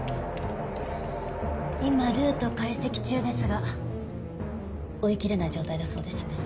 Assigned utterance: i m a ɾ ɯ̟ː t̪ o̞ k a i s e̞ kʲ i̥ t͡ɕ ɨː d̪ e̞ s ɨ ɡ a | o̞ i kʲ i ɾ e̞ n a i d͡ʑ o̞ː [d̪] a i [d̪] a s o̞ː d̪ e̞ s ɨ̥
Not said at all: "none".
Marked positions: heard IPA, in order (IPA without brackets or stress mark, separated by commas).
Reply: t̪, d̪